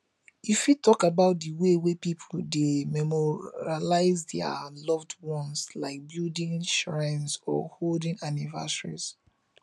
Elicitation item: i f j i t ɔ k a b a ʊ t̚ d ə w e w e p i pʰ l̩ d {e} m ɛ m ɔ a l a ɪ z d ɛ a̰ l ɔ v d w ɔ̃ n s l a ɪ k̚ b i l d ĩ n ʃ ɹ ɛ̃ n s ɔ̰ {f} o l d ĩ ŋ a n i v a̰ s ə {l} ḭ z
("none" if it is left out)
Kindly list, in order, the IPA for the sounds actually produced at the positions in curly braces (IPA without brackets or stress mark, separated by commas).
e, h, ɹ